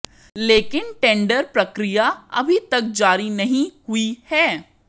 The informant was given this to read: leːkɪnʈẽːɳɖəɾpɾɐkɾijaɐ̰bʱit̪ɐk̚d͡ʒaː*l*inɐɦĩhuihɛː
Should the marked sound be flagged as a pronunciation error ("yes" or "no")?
yes